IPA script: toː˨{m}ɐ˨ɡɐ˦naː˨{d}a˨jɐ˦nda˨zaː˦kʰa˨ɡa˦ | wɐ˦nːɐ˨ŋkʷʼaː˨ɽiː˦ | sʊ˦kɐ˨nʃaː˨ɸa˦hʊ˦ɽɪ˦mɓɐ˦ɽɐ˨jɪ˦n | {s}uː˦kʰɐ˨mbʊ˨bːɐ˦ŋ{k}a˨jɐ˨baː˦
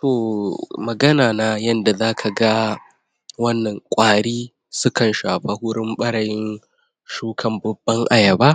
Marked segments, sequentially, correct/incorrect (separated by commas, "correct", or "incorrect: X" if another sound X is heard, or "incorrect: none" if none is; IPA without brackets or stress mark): correct, incorrect: n, incorrect: ʃ, incorrect: ʔ